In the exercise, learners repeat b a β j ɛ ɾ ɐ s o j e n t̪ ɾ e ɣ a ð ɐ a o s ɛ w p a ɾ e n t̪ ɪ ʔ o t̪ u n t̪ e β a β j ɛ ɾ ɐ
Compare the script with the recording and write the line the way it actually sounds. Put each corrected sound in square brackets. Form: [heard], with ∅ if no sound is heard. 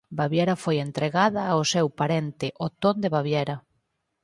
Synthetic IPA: b a β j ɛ ɾ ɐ [f] o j e n t̪ ɾ e ɣ a ð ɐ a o s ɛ w p a ɾ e n t̪ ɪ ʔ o t̪ [o] n [d̪] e β a β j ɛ ɾ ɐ

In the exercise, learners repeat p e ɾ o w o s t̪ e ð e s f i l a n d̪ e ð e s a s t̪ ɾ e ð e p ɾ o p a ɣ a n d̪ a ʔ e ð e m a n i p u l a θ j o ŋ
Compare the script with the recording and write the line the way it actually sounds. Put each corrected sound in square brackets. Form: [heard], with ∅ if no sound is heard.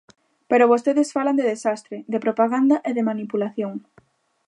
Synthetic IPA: p e ɾ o [β] o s t̪ e ð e s f [a] l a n d̪ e ð e s a s t̪ ɾ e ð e p ɾ o p a ɣ a n d̪ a ʔ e ð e m a n i p u l a θ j o ŋ

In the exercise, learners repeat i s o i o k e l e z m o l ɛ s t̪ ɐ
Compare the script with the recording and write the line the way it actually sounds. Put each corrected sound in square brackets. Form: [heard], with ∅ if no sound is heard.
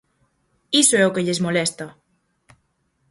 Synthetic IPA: i s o [ɛ] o k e [ʎ] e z m o l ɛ s t̪ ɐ

